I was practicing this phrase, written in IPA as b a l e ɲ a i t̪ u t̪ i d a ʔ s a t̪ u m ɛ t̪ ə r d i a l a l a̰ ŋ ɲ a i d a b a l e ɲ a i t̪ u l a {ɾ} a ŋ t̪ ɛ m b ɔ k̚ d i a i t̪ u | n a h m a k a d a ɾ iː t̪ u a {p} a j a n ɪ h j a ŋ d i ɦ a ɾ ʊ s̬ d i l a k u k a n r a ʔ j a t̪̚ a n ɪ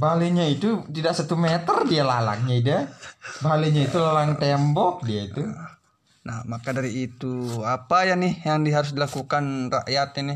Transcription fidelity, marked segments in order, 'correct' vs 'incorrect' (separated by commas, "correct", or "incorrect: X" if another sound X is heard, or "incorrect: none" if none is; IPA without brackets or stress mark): incorrect: l, correct